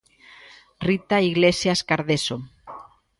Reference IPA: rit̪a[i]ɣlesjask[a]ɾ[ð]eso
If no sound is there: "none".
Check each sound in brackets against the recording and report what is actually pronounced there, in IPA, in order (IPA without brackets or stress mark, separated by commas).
i, a, ð